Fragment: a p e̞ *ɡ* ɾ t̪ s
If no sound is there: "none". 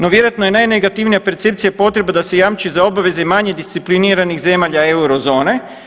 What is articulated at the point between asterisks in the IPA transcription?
none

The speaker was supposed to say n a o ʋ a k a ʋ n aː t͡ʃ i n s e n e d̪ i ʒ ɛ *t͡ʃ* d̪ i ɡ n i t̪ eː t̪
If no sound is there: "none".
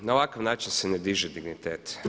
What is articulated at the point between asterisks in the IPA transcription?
none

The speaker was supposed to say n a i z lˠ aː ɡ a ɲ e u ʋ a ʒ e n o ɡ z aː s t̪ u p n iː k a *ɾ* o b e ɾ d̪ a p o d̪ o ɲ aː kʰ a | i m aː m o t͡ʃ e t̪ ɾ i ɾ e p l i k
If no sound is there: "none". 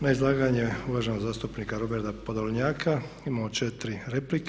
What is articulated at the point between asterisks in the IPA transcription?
ɾ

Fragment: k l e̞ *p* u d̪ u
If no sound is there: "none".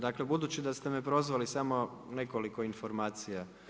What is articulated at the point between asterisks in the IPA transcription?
b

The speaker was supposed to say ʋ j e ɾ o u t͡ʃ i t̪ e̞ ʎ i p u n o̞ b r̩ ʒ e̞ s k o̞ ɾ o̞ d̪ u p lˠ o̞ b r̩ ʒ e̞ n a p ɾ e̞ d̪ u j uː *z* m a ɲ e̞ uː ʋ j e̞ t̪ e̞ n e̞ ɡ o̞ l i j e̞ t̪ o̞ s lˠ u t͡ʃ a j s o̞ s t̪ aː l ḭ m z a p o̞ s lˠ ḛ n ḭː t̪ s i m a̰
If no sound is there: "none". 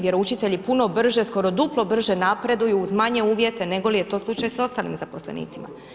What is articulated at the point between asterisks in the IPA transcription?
z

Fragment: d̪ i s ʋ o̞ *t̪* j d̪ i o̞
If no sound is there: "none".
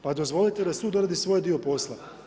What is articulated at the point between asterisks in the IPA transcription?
none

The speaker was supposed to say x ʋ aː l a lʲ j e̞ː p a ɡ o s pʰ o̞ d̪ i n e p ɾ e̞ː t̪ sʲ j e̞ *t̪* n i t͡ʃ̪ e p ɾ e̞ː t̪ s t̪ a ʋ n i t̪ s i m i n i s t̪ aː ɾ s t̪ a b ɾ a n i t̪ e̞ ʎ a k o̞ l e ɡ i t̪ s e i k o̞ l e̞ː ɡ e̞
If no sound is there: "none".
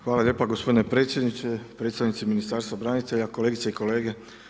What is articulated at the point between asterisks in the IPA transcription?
d̪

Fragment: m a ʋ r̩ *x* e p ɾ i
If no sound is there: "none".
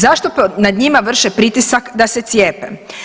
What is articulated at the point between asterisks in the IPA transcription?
ʃ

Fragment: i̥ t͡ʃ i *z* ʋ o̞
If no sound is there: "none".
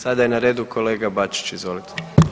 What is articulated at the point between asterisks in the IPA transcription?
z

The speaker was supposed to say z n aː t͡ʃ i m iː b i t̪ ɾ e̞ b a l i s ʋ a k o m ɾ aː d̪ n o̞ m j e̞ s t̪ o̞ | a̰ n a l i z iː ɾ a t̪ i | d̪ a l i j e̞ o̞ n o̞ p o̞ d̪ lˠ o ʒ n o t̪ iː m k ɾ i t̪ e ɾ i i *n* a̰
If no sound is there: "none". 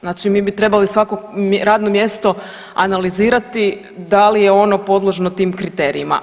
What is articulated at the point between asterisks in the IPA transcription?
m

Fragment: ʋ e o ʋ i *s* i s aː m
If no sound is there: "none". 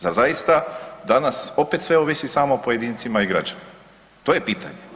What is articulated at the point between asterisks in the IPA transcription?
s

